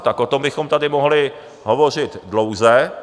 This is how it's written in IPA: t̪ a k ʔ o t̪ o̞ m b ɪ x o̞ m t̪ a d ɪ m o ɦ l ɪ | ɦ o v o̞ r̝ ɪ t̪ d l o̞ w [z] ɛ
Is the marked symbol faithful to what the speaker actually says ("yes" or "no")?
yes